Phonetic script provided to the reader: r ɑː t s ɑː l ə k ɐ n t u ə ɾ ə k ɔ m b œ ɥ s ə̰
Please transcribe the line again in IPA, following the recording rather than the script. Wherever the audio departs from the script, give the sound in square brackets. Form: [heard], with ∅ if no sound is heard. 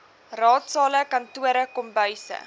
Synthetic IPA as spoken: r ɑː t s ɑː l ə k ɐ n t u ə ɾ ə k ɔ m b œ ɥ s ə̰